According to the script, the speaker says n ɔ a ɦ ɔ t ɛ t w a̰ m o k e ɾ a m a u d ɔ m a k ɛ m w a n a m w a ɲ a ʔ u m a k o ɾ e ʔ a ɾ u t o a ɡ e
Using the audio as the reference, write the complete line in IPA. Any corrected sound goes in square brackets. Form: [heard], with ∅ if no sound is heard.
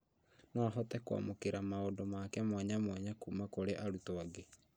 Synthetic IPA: n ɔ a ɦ ɔ t ɛ [k] w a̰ m o k e ɾ a m a [o] d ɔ m a k ɛ m w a [ɲ] a m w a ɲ a [k] u m a k o ɾ e ʔ a ɾ u t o a ɡ e